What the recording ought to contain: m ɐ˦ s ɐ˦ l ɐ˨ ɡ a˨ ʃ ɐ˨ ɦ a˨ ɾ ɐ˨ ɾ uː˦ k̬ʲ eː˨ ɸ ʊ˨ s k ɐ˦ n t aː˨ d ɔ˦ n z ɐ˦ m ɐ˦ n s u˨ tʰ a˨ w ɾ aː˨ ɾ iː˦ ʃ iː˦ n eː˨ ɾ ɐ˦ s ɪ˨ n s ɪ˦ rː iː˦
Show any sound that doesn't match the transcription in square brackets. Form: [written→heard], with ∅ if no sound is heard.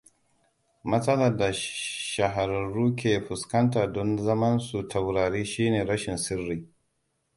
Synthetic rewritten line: m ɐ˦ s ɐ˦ l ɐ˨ [ɡ→d] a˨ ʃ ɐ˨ ɦ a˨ ɾ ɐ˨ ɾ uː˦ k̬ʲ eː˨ ɸ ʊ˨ s k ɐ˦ n t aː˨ d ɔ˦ n z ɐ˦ m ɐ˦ n s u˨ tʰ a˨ w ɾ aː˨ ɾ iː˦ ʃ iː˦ n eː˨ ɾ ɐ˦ [s→ʃ] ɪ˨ n s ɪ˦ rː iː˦